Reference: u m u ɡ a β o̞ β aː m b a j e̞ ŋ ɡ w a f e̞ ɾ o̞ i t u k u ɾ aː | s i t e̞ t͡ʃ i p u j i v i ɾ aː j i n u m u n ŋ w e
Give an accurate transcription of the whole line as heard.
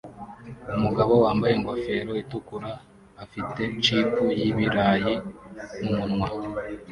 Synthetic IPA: u m u ɡ a β o̞ w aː m b a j e̞ ŋ ɡ w a f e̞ ɾ o̞ i t u k u ɾ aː | f i t e̞ t͡ʃ i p u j i β i ɾ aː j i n u m u n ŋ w a